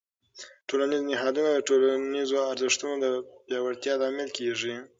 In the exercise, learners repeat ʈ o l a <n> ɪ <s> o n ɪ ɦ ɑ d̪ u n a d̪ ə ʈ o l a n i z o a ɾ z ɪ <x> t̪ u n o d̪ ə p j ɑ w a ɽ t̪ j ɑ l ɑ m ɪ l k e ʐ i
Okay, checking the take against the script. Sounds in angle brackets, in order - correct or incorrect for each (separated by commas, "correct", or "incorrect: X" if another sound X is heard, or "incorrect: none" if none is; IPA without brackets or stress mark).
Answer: correct, incorrect: z, incorrect: ʂ